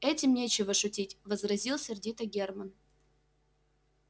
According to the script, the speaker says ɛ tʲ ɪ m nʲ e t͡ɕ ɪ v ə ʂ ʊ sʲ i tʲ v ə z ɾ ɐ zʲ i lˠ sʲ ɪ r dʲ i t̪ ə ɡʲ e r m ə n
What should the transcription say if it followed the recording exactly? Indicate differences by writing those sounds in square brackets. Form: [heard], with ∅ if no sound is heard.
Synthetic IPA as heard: ɛ tʲ ɪ m nʲ e t͡ɕ ɪ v ə ʂ ʊ [tʲ] i tʲ v ə z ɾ ɐ zʲ i lˠ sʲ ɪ r dʲ i t̪ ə ɡʲ e r m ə n